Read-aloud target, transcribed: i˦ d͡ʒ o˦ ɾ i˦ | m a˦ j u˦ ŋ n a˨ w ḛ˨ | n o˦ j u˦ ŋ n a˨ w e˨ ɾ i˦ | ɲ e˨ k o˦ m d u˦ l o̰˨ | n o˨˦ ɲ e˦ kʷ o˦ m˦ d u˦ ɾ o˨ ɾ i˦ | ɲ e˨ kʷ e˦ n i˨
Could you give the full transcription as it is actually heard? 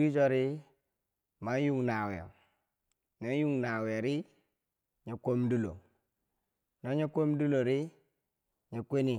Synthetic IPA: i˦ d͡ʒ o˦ ɾ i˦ | m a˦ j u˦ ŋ n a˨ w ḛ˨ | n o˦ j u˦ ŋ n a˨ w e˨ ɾ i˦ | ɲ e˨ k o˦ m d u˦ l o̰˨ | n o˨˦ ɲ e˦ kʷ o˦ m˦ d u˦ l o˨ ɾ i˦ | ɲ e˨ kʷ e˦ n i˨